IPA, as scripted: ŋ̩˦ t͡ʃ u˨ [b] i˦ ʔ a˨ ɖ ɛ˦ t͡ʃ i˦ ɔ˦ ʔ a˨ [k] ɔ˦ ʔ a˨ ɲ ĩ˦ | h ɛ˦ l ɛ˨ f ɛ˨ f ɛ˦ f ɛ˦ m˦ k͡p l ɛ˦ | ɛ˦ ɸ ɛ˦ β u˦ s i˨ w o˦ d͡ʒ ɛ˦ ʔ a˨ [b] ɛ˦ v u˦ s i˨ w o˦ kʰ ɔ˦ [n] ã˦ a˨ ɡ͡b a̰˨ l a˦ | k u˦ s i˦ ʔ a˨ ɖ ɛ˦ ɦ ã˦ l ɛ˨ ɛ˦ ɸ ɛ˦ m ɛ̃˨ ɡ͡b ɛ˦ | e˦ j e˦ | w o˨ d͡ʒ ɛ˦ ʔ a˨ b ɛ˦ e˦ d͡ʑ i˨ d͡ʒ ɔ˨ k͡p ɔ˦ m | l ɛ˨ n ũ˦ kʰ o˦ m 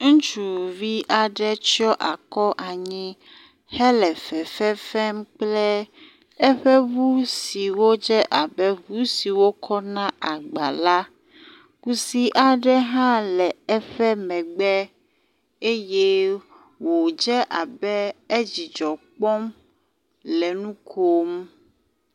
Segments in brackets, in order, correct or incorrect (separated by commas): incorrect, correct, correct, correct